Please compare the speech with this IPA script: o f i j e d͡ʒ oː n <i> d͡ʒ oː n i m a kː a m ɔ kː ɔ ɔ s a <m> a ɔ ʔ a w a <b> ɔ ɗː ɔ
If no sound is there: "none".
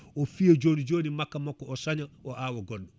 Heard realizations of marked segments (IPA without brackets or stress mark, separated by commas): i, ɲ, ɡ